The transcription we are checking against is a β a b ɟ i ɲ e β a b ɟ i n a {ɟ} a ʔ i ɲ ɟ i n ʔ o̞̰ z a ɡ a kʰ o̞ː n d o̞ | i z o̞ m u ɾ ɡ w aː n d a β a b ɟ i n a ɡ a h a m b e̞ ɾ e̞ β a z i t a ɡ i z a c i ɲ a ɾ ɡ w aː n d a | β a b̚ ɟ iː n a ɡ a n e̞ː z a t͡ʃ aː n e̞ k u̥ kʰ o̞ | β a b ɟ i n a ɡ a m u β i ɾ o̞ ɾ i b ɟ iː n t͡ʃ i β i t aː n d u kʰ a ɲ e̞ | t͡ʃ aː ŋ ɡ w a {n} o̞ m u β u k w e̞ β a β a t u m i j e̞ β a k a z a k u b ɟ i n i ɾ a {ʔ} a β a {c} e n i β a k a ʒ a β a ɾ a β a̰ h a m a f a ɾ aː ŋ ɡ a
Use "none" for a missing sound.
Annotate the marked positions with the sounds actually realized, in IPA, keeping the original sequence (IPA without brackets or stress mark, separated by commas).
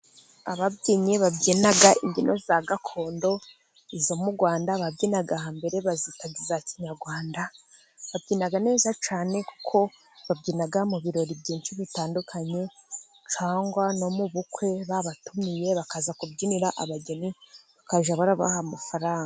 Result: ɡ, n, ʔ, ɟ